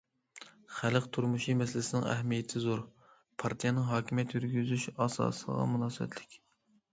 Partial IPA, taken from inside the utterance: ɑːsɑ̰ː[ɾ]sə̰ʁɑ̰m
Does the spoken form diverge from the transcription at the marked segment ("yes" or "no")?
yes